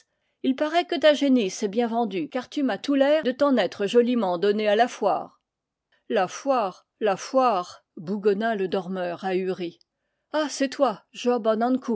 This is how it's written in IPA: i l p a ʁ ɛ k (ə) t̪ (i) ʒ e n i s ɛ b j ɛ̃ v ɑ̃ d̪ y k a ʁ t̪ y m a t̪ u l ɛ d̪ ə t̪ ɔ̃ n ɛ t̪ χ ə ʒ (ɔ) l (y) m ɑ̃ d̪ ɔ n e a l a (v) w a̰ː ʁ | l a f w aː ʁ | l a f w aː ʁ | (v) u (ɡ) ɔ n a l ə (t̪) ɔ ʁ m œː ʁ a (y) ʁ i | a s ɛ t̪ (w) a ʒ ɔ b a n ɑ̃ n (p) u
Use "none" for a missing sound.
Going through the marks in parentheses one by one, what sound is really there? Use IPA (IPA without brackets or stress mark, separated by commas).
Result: ə, a, ɔ, i, f, b, ɡ, d̪, y, w, k